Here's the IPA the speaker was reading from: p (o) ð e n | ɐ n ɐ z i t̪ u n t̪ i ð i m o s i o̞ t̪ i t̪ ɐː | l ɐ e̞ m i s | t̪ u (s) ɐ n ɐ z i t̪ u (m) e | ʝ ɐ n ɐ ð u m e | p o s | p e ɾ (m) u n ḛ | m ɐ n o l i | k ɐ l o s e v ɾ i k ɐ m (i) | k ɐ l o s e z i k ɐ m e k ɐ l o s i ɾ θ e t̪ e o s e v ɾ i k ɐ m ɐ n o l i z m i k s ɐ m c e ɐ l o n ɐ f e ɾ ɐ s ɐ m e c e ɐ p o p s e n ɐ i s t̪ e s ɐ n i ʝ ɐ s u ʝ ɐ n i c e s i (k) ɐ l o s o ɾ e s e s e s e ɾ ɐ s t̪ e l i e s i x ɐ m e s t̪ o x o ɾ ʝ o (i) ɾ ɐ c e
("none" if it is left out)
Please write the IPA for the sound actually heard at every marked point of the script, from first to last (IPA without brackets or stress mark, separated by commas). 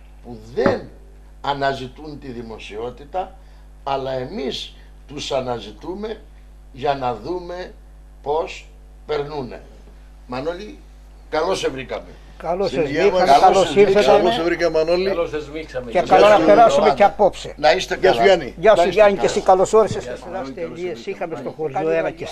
u, s, m, n, e, k, e